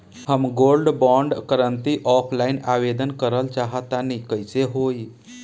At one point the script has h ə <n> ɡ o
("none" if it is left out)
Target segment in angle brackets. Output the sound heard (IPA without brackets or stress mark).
m